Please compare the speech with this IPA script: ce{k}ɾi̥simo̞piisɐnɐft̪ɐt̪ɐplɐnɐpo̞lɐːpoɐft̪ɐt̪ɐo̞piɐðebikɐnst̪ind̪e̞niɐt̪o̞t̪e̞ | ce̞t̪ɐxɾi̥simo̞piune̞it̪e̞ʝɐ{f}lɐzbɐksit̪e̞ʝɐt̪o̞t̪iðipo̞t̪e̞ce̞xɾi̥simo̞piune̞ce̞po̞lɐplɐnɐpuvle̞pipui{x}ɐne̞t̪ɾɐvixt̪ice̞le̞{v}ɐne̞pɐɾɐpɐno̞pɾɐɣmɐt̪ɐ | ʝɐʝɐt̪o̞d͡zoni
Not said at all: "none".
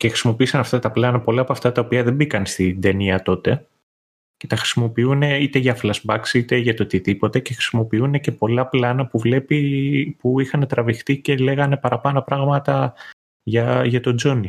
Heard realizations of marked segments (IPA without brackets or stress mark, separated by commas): x, f, x, ɣ